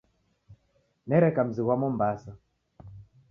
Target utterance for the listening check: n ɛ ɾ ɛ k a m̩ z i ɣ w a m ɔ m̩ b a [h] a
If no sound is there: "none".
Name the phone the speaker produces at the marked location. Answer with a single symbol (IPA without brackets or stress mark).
s